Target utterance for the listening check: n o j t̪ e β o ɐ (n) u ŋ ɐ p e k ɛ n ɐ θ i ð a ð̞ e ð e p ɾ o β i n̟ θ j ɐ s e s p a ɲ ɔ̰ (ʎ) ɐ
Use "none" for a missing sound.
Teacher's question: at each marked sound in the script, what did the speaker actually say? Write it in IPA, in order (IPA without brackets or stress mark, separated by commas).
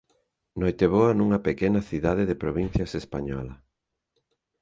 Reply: n, l